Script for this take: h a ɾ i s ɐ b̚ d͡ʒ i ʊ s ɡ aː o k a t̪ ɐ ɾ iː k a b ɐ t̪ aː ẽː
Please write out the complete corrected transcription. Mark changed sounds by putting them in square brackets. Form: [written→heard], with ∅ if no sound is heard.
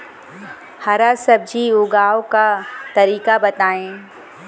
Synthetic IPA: h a ɾ [i→a] s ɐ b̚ d͡ʒ i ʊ [s→∅] ɡ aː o k a t̪ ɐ ɾ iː k a b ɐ t̪ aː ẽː